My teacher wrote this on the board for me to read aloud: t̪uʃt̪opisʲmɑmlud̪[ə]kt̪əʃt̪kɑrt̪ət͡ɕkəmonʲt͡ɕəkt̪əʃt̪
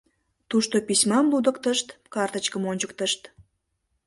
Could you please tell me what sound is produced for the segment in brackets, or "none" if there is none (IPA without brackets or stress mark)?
ə